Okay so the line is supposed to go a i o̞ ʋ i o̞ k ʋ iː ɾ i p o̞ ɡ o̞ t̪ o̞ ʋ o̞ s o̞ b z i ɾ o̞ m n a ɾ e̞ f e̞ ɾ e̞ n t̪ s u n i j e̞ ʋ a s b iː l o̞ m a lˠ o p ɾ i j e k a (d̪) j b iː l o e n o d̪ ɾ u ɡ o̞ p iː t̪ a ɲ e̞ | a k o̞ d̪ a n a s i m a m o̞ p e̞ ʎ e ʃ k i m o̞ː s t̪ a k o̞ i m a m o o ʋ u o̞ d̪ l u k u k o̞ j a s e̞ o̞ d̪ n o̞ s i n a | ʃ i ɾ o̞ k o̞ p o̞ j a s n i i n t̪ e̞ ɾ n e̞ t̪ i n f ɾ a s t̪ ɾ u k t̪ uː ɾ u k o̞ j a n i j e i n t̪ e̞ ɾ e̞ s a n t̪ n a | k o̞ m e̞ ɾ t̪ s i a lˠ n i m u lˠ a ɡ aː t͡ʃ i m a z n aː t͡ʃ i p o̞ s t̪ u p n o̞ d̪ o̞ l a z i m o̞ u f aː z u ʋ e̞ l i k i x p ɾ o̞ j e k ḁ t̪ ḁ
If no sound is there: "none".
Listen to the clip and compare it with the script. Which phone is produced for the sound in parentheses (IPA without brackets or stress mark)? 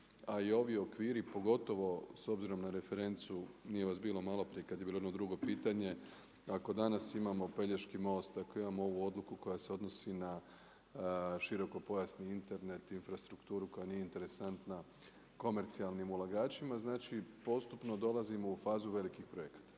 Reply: d̪